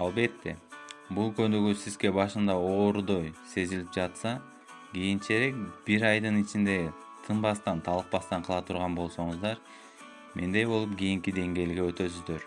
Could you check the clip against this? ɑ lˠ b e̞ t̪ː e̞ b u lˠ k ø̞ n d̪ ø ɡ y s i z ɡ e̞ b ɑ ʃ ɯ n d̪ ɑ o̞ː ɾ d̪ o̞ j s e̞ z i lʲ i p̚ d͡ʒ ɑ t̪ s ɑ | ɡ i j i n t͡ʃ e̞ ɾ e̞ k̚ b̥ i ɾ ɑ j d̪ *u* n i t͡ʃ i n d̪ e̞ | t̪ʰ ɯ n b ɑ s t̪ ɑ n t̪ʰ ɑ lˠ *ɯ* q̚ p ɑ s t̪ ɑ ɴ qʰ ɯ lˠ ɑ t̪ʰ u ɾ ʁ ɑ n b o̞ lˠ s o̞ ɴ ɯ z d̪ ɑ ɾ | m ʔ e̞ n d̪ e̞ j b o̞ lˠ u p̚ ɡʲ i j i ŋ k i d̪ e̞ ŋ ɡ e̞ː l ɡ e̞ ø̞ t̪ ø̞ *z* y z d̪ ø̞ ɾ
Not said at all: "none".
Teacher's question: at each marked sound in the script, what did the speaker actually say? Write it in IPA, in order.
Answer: ɯ, ɯ, s

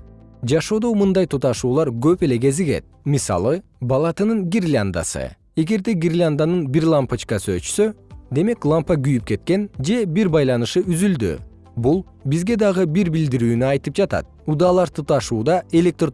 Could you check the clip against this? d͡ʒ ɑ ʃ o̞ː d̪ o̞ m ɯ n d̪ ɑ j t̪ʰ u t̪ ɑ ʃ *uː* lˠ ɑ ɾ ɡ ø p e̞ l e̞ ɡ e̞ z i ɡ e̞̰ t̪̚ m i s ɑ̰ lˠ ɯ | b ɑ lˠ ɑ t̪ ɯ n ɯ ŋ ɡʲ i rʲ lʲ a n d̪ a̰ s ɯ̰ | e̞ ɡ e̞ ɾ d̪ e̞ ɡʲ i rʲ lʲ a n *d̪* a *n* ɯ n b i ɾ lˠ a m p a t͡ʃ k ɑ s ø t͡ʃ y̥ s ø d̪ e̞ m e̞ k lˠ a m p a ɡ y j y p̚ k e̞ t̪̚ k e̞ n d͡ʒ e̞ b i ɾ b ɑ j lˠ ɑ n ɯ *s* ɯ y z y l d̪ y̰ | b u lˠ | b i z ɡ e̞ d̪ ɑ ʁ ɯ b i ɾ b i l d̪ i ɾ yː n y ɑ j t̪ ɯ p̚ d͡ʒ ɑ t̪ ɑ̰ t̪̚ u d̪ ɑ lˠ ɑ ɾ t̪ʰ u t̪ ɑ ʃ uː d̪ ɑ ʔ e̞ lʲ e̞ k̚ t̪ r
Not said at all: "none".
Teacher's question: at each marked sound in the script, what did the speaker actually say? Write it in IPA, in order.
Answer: uː, d̪, n, ʃ

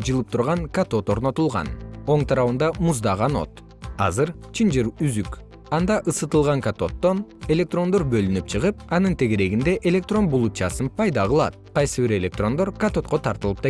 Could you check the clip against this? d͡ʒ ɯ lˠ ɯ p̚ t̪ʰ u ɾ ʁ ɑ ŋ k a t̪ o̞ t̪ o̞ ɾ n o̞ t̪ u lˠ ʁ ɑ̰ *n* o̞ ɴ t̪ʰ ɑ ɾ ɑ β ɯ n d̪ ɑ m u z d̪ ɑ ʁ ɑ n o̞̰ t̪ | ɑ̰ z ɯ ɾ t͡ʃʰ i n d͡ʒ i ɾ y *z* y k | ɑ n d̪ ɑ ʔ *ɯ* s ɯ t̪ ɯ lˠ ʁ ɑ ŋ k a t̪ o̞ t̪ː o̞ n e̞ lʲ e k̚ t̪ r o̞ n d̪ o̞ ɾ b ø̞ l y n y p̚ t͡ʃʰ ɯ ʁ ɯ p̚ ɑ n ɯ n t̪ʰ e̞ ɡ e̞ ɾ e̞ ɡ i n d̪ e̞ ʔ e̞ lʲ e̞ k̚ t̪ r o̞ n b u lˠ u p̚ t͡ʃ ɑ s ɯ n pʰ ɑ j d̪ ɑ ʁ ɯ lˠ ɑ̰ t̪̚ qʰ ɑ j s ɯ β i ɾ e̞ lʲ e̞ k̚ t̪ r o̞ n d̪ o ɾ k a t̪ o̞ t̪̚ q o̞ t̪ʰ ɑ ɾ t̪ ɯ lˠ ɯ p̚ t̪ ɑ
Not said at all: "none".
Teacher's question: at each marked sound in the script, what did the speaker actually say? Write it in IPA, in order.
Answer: n, z, ɯ

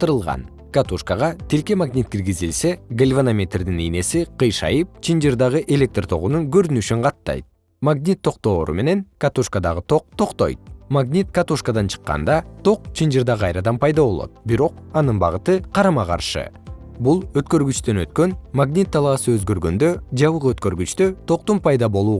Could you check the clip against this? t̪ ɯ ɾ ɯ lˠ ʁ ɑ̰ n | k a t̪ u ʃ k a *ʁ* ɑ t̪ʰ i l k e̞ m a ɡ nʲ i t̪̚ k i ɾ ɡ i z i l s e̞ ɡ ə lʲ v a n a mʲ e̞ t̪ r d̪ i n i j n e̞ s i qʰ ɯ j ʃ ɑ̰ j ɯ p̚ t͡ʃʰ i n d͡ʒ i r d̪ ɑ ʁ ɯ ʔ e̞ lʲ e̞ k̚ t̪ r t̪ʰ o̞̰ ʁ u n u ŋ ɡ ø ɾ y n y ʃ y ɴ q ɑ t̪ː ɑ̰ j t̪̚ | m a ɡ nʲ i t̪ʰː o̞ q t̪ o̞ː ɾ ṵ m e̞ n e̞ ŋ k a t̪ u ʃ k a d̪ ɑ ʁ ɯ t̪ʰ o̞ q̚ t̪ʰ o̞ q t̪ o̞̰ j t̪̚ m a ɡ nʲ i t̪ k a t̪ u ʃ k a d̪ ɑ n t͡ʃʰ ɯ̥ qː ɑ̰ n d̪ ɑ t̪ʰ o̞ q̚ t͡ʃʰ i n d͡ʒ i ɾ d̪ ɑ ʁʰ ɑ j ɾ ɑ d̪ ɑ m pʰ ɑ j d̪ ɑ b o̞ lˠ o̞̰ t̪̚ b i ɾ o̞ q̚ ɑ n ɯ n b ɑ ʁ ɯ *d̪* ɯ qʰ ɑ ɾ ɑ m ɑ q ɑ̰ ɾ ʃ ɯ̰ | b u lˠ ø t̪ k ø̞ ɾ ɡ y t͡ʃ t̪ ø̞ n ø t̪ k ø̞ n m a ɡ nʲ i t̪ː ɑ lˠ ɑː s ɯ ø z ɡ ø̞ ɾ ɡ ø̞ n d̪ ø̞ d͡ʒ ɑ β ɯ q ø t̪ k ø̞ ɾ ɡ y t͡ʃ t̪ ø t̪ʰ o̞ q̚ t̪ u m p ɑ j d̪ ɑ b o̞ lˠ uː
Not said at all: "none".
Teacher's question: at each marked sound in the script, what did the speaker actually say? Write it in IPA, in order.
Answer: ʁ, t̪

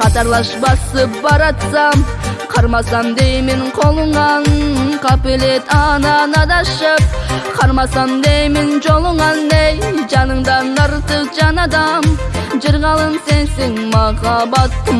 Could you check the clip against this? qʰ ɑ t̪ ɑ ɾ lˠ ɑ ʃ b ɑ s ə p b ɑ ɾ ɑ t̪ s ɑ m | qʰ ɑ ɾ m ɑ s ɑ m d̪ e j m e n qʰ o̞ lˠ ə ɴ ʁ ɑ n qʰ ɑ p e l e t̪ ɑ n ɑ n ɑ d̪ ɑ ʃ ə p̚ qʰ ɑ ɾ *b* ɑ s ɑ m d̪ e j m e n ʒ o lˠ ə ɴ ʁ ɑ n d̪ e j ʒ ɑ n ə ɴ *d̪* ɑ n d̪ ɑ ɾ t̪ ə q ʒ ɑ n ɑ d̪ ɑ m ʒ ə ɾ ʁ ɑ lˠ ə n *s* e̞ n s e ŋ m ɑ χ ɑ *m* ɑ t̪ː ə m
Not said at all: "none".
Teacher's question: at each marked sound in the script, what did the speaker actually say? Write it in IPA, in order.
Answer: m, d̪, s, b

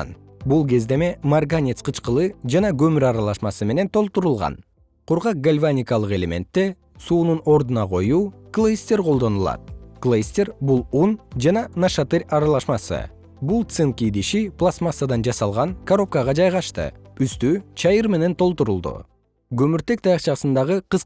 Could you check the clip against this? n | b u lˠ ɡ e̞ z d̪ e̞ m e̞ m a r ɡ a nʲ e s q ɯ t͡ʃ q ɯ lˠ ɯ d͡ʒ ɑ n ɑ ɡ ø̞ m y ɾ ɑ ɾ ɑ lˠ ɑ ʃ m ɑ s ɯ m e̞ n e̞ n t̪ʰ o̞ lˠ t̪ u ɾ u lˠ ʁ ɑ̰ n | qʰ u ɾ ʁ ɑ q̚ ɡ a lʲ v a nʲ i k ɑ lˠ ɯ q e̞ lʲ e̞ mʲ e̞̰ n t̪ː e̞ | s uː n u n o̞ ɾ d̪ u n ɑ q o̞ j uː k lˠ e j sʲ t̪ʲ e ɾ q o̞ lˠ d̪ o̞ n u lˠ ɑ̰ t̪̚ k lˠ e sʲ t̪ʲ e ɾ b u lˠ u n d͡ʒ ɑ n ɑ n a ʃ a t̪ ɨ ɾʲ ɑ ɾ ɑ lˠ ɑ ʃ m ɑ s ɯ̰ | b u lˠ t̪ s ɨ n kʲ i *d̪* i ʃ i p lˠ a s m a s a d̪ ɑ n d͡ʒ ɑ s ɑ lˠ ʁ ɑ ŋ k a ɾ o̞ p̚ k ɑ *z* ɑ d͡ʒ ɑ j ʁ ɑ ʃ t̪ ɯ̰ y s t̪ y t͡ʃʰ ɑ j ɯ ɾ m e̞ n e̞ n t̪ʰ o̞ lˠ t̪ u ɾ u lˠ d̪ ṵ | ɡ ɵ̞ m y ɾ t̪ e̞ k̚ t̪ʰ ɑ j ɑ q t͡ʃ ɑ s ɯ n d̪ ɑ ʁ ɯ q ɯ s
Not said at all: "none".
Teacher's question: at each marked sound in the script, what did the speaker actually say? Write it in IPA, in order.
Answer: d̪, ʁ

